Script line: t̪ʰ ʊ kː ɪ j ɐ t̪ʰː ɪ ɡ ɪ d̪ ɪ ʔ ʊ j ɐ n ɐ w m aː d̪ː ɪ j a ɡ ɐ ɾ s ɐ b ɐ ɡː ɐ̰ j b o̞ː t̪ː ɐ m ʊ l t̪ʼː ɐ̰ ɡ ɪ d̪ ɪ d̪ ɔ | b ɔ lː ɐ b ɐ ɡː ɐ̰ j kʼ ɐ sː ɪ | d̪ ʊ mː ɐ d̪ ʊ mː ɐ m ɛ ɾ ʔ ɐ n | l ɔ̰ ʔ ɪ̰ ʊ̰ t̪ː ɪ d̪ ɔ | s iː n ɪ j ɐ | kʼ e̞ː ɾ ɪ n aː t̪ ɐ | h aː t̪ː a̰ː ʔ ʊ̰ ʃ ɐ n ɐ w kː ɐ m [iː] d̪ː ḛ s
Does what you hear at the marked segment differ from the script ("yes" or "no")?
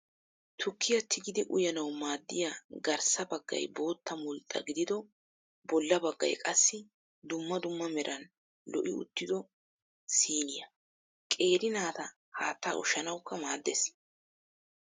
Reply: yes